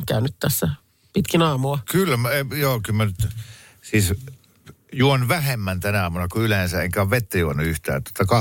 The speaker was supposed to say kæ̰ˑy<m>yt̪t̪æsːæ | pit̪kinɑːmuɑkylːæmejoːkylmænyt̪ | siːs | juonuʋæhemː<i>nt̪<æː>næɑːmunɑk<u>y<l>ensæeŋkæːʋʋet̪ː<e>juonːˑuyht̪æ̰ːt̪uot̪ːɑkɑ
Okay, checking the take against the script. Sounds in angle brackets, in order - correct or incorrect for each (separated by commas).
incorrect, incorrect, incorrect, correct, correct, incorrect